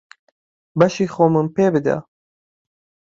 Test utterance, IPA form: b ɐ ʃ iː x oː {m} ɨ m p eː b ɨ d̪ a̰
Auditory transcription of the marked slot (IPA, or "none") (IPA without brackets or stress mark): m